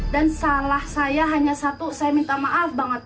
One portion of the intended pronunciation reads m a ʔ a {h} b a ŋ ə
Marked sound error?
yes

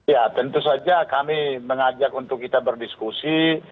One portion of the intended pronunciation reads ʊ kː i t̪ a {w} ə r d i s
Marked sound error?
yes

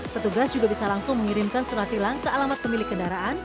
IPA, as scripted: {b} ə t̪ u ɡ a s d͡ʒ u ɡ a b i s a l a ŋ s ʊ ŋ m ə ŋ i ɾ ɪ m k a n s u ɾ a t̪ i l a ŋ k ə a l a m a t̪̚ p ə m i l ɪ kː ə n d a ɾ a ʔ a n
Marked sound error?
yes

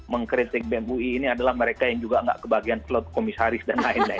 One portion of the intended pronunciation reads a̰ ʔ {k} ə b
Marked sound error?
no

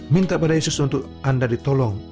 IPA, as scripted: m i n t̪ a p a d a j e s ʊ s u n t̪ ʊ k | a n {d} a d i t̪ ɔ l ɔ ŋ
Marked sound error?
no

